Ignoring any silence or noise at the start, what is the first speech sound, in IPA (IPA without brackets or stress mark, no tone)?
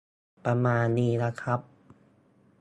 p